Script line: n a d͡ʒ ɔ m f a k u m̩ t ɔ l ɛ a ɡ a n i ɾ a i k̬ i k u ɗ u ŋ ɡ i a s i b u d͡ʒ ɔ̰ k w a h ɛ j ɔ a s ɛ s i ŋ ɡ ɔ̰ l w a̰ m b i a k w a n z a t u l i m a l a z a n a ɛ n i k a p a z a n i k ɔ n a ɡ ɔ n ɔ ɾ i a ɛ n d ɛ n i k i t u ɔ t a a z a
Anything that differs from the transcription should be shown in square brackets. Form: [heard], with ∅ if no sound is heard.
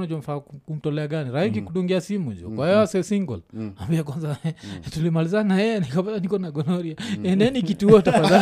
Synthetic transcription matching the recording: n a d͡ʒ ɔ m f a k u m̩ t ɔ l ɛ a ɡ a n i ɾ a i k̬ i k u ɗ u ŋ ɡ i a s i [m] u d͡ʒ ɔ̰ k w a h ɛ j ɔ a s ɛ s i ŋ ɡ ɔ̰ l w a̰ m b i a k w a n z a t u l i m a l [i] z a n a ɛ n i k a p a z a n i k ɔ n a ɡ ɔ n ɔ ɾ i a ɛ n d ɛ n i k i t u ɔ t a a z a